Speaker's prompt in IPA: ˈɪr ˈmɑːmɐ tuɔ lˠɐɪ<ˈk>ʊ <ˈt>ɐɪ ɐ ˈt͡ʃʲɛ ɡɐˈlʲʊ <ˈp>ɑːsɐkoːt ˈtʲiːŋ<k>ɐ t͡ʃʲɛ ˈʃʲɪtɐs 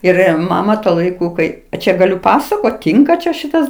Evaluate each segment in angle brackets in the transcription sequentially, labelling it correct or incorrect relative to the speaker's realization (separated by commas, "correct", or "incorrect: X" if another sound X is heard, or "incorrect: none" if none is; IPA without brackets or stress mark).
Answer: correct, incorrect: k, correct, correct